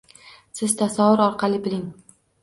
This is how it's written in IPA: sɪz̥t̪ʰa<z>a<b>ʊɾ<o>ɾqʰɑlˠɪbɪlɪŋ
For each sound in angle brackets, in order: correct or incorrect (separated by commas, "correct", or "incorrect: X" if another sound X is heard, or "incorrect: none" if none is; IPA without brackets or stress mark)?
incorrect: s, incorrect: v, incorrect: ɒ